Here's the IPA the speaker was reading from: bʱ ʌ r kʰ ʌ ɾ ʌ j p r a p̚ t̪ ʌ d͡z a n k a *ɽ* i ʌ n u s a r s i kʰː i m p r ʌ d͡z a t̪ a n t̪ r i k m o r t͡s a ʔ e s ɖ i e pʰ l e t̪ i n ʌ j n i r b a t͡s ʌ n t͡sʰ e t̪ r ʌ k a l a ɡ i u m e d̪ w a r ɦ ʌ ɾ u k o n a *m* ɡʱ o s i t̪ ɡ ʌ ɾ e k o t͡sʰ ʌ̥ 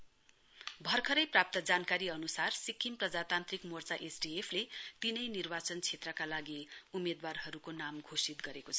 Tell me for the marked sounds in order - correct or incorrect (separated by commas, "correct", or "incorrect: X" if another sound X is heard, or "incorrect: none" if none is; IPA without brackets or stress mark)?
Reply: incorrect: ɾ, correct